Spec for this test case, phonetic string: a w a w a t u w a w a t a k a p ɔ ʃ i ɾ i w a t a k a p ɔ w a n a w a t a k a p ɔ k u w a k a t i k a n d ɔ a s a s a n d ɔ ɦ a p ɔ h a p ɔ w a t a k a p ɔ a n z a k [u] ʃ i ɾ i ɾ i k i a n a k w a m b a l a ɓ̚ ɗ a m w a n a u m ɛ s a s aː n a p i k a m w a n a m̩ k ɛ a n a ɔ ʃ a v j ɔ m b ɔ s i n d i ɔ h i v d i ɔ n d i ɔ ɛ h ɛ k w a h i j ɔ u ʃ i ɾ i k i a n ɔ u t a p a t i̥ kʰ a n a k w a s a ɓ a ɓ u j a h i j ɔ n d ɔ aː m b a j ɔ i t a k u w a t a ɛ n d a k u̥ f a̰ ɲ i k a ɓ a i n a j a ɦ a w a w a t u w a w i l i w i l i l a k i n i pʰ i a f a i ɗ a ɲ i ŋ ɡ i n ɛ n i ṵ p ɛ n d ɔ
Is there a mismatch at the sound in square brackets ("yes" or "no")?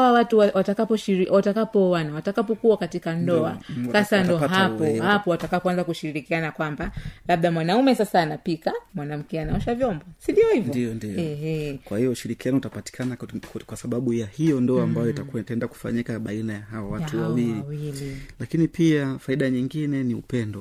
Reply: no